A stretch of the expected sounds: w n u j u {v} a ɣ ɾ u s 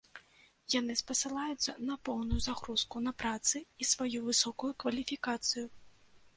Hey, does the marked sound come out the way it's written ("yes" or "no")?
no